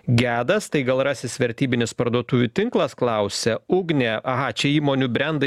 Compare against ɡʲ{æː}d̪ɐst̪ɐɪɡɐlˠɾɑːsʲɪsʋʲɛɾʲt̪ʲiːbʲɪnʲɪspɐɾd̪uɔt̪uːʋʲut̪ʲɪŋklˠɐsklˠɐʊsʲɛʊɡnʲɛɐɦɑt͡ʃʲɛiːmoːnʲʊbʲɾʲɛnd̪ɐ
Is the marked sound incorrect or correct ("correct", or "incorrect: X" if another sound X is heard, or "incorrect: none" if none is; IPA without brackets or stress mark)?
correct